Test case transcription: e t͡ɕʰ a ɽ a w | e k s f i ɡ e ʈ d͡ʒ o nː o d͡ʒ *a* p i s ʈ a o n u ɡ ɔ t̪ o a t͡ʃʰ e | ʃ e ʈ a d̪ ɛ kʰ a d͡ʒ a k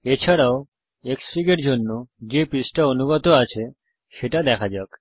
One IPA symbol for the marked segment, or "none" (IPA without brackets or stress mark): e